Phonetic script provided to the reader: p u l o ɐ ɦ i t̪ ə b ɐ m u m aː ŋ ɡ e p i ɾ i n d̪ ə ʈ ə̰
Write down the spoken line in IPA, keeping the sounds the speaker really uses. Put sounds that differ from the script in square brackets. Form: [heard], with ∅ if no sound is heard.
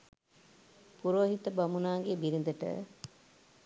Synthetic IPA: p u [ɾ] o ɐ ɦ i t̪ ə b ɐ m u [n] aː ŋ ɡ e [b] i ɾ i n d̪ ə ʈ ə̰